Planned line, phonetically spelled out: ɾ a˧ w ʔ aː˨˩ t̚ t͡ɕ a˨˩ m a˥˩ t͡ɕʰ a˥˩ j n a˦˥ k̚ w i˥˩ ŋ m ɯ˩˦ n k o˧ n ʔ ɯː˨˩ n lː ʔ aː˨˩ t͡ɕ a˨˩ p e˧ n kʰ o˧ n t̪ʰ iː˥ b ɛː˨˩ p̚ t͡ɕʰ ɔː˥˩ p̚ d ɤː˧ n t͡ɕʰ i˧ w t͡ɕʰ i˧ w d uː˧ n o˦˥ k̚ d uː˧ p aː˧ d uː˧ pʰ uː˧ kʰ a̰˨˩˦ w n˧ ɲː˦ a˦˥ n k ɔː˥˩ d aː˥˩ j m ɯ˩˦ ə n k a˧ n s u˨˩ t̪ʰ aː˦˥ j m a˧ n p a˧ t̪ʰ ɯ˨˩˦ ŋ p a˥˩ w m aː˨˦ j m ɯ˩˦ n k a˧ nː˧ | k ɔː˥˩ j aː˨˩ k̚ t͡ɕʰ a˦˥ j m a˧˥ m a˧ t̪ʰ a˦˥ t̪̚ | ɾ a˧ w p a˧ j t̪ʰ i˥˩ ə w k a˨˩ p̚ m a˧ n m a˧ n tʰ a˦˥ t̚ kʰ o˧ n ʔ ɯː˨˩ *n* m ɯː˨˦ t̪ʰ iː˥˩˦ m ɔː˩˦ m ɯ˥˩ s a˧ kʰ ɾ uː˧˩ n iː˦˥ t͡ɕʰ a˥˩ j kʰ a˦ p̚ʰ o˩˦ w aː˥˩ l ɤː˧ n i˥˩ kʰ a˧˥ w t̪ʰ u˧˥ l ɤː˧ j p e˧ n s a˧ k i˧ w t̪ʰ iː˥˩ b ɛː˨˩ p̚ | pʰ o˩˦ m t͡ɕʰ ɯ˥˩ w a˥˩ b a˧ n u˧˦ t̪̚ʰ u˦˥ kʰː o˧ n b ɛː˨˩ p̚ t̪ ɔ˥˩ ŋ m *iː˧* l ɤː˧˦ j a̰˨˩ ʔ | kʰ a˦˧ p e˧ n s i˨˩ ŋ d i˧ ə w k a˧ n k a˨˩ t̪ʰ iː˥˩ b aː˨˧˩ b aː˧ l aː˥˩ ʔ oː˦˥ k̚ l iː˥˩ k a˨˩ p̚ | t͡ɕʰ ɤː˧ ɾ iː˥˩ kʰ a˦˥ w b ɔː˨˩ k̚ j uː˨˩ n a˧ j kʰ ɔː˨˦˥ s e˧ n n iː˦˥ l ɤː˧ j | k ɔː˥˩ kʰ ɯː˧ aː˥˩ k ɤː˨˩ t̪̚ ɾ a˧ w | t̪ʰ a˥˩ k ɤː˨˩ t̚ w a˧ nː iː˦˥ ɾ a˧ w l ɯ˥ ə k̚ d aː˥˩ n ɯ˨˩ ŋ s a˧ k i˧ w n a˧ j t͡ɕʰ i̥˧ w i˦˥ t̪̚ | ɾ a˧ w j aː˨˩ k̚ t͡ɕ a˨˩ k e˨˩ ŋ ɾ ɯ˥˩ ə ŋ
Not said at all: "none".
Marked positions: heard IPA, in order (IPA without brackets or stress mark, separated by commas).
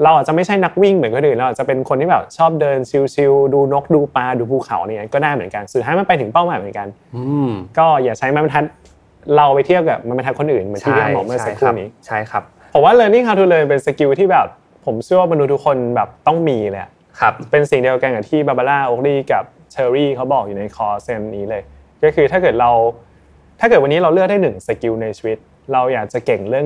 n, iː˧